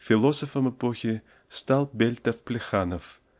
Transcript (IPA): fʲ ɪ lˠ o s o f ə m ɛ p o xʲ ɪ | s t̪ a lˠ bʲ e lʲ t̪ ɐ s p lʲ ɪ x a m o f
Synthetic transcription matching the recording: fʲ ɪ lˠ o s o f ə m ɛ p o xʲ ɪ | s t̪ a lˠ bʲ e lʲ t̪ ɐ f p lʲ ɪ x a n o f

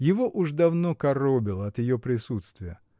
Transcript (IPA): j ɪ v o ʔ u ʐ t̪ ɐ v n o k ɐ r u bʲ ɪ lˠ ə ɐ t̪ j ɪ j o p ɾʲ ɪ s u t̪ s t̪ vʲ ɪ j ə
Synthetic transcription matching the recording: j ɪ v o ʔ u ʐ d̪ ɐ v n o k ɐ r o bʲ ɪ lˠ ə ɐ t̪ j ɪ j o p ɾʲ ɪ s u t̪ s t̪ vʲ ɪ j ə

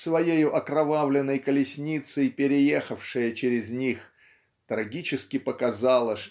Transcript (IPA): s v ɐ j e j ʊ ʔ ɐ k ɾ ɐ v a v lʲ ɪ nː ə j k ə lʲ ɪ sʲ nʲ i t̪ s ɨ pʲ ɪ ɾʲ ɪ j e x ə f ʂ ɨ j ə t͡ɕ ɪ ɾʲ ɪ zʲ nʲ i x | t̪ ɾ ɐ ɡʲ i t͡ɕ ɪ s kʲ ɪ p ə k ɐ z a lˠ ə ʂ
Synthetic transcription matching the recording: s v ɐ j e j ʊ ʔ ɐ k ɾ ɐ v a v lʲ ɪ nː ə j k ə lʲ ɪ sʲ nʲ i t̪ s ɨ pʲ ɪ ɾʲ ɪ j e x ə f ʂ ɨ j ə t͡ɕ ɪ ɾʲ ɪ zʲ nʲ i x | t̪ ɾ ɐ ɡʲ i t͡ɕ ɪ s kʲ ɪ p ə k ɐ z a lˠ ə ʂ

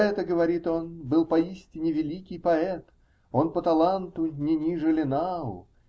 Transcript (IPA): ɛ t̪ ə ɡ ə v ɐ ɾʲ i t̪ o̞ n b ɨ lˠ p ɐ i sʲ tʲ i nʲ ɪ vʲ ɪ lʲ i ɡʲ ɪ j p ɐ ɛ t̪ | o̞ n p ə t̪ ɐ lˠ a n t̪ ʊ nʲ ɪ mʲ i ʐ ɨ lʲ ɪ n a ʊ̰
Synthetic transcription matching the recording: ɛ t̪ ə ɡ ə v ɐ ɾʲ i t̪ o̞ n b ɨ lˠ p ɐ i sʲ tʲ ɪ nʲ ɪ vʲ ɪ lʲ i kʲ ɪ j p ɐ ɛ t̪ | o̞ n p ə t̪ ɐ lˠ a n t̪ ʊ nʲ ɪ nʲ i ʐ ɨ lʲ ɪ n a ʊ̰

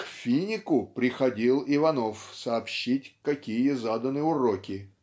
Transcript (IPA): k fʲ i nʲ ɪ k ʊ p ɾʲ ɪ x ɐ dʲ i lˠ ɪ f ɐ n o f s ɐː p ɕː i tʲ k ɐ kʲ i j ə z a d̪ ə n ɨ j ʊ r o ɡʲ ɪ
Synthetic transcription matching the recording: k fʲ i nʲ ɪ k ʊ p ɾʲ ɪ x ɐ dʲ i lˠ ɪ v ɐ n o f s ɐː p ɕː i tʲ k ɐ kʲ i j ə z a d̪ ə n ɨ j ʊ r o kʲ ɪ

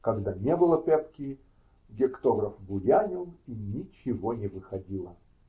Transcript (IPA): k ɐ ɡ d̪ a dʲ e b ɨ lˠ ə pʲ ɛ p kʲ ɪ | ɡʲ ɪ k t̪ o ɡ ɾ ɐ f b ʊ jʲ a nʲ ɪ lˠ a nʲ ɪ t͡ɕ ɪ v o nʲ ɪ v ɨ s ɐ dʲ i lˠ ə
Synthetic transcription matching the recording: k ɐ ɡ d̪ a nʲ e b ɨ lˠ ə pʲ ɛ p kʲ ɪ | ɡʲ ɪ k t̪ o ɡ ɾ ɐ f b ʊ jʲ a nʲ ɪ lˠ i nʲ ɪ t͡ɕ ɪ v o nʲ ɪ v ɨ x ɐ dʲ i lˠ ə

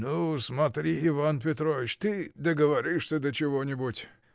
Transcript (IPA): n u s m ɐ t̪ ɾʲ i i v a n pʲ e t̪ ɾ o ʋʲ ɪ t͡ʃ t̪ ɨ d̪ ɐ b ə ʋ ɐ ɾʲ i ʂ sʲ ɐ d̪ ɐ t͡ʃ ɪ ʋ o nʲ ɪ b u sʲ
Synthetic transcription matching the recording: n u s m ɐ t̪ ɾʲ i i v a n pʲ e t̪ ɾ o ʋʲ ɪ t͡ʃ t̪ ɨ d̪ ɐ ɡ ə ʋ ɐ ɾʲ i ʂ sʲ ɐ d̪ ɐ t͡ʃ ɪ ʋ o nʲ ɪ b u tʲ

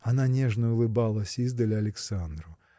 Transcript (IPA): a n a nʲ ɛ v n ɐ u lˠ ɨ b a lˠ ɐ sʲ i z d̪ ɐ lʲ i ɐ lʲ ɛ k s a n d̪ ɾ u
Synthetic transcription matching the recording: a n a nʲ ɛ ʐ n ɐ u lˠ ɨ b a lˠ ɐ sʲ i z d̪ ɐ lʲ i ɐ lʲ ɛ k s a n d̪ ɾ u

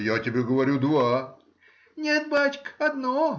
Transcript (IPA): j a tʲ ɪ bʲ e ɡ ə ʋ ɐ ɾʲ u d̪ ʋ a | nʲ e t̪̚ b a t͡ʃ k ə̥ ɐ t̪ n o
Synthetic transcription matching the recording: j a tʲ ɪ bʲ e ɡ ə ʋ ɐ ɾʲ u d̪ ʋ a | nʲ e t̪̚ b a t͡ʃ k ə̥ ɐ d̪ n o

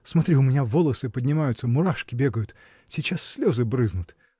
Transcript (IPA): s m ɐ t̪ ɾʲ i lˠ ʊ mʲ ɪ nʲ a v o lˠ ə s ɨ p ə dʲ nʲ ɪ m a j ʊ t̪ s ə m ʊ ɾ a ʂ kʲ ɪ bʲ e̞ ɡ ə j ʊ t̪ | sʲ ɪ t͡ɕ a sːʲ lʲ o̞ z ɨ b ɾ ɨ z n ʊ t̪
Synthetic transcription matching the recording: s m ɐ t̪ ɾʲ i ʊ mʲ ɪ nʲ a v o lˠ ə s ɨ p ə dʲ nʲ ɪ m a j ʊ t̪ s ə m ʊ ɾ a ʂ kʲ ɪ bʲ e̞ ɡ ə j ʊ t̪ | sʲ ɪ t͡ɕ a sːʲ lʲ o̞ z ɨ b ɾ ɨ z n ʊ t̪

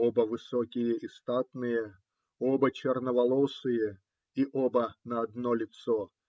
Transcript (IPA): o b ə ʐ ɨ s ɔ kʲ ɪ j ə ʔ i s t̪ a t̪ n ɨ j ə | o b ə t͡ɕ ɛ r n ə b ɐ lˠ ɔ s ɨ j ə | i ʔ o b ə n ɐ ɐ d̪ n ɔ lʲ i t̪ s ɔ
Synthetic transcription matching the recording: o b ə v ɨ s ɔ kʲ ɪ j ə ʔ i s t̪ a t̪ n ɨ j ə | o b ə t͡ɕ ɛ r n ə v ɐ lˠ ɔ s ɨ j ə | i ʔ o b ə n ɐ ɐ d̪ n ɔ lʲ ɪ t̪ s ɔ

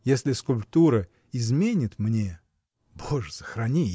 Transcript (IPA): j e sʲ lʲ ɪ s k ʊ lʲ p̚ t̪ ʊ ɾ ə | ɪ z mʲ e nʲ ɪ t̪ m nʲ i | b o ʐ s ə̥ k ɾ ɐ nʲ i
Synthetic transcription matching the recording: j e sʲ lʲ ɪ s k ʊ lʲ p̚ t̪ u ɾ ə | ɪ z mʲ e nʲ ɪ t̪ m nʲ e | b o ʐ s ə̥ x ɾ ɐ nʲ i

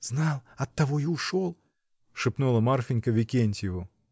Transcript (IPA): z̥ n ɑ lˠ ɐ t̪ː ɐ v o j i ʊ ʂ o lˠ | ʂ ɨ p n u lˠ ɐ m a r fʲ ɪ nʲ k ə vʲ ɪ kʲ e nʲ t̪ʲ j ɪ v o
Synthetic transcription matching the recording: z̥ n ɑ lˠ ɐ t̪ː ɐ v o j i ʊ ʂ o lˠ | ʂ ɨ p n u lˠ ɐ m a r fʲ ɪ nʲ k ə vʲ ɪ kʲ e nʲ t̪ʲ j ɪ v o

